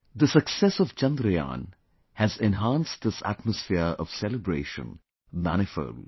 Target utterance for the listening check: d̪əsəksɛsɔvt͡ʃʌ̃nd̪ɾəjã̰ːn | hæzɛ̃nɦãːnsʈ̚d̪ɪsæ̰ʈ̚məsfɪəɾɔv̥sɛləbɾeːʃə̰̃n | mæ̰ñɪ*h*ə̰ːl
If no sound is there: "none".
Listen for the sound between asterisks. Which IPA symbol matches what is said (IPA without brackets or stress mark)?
f